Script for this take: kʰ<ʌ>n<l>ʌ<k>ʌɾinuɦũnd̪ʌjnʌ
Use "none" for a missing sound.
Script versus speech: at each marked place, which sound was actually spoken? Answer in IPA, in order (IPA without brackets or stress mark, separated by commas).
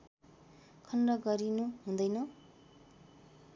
ʌ, r, ɡ